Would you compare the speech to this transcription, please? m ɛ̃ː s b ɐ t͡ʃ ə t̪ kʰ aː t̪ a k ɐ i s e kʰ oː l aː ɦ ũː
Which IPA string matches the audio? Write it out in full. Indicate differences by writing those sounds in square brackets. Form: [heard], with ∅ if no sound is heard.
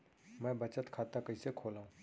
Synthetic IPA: m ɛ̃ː [∅] b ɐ t͡ʃ ə t̪ kʰ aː t̪ a k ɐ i s e kʰ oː l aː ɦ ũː

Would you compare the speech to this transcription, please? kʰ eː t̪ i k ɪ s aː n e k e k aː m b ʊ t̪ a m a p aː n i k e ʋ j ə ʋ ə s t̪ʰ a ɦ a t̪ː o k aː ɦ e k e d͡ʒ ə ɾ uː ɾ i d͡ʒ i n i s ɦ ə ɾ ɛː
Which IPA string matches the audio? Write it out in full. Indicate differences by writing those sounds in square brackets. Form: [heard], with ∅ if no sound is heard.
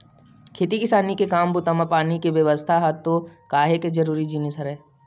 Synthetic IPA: kʰ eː t̪ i k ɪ s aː n [i] k e k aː m b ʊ t̪ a m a p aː n i k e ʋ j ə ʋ ə s t̪ʰ a ɦ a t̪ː o k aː ɦ e k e d͡ʒ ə ɾ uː ɾ i d͡ʒ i n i s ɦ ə ɾ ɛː

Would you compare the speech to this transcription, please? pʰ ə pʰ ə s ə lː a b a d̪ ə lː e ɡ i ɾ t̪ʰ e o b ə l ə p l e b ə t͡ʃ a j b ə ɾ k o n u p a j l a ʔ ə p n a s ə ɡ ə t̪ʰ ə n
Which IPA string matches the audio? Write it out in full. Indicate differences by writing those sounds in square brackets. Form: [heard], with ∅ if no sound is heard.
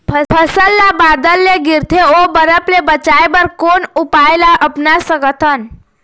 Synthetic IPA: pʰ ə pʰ ə s ə lː a b a d̪ ə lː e ɡ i ɾ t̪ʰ e o b ə [ɾ] ə p l e b ə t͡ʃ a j b ə ɾ k o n u p a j l a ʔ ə p n a s ə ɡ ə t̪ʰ ə n

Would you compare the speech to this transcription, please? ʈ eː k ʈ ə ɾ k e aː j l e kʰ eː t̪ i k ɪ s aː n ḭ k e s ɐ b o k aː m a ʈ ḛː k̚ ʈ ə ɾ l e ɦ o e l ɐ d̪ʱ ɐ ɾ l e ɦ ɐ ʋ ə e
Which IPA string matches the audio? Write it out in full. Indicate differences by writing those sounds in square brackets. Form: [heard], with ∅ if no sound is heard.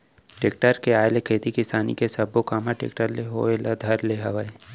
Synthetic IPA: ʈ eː k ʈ ə ɾ k e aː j l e kʰ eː t̪ i k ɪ s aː n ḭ k e s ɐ b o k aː m a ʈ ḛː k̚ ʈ ə ɾ l e ɦ o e l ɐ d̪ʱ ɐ ɾ l e ɦ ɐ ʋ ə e

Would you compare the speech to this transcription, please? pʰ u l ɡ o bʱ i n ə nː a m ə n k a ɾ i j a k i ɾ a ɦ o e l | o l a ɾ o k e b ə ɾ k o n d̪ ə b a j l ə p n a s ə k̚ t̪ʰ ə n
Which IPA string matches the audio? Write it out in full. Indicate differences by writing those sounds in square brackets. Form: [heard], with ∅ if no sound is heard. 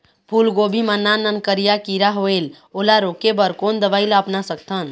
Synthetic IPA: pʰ u l ɡ o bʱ i [m] ə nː a [n] ə n k [ə] ɾ i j a k i ɾ a ɦ o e l | o l a ɾ o k e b ə ɾ k o n d̪ ə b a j l ə p n a s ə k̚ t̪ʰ ə n

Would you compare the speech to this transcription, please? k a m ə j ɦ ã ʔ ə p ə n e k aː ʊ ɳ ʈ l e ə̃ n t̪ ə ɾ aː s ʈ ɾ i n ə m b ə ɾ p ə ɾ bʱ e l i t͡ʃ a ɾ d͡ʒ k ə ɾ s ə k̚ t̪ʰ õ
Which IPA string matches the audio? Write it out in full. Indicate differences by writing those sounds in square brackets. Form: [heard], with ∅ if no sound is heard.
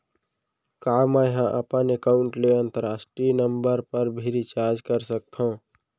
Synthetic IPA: k a m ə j ɦ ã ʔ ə p ə n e k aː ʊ ɳ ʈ l e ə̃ n t̪ ə ɾ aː s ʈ ɾ i n ə m b ə ɾ p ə ɾ bʱ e [ɾ] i t͡ʃ a ɾ d͡ʒ k ə ɾ s ə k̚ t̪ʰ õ

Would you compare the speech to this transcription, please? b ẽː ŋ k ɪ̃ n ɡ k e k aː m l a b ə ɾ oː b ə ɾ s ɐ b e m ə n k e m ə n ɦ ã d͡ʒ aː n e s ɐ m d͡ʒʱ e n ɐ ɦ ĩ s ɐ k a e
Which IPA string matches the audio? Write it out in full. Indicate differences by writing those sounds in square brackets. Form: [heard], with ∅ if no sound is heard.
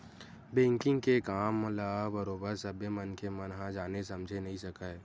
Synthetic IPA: b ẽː ŋ k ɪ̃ [ŋ] ɡ k e k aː m l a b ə ɾ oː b ə ɾ s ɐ b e m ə n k e m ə n ɦ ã d͡ʒ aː n e s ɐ m d͡ʒʱ e n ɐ ɦ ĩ s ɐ k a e

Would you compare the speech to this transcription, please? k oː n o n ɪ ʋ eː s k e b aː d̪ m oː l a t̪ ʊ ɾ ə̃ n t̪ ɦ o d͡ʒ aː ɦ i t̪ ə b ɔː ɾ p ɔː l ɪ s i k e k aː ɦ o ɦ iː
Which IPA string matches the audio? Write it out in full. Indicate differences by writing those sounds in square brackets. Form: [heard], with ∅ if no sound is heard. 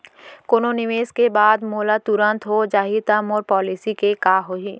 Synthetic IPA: k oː n o n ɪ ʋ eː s k e b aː d̪ m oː l a t̪ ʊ ɾ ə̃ n t̪ ɦ o d͡ʒ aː ɦ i t̪ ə [m] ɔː ɾ p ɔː l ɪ s i k e k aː ɦ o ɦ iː

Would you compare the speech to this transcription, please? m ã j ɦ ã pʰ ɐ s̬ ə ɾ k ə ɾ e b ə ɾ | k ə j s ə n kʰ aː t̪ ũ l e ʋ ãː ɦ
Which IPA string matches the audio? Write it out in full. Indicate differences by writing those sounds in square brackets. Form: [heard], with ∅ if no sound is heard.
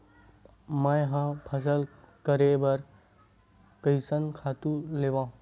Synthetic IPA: m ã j ɦ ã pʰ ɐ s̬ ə [l] k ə ɾ e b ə ɾ | k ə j s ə n kʰ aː t̪ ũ l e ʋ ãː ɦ

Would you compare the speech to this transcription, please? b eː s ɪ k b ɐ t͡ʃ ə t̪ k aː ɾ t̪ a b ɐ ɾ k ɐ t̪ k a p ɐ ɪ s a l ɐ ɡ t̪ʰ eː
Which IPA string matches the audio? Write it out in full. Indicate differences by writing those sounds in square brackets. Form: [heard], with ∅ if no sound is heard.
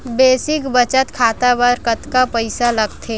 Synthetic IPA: b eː s ɪ k b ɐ t͡ʃ ə t̪ [kʰ] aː [∅] t̪ a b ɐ ɾ k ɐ t̪ k a p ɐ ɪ s a l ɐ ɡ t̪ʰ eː

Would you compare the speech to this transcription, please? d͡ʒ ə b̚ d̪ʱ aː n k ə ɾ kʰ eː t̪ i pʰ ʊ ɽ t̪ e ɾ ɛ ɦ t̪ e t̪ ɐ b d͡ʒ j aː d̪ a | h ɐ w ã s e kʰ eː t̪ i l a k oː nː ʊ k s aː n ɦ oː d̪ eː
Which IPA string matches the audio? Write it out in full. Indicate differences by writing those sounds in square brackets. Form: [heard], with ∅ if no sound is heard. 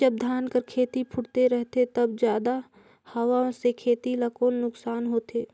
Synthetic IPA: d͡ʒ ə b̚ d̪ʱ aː n k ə ɾ kʰ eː t̪ i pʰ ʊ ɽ t̪ e ɾ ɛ ɦ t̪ e t̪ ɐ b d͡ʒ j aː d̪ a | h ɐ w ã s e kʰ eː t̪ i l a k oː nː ʊ k s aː n ɦ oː [t̪] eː

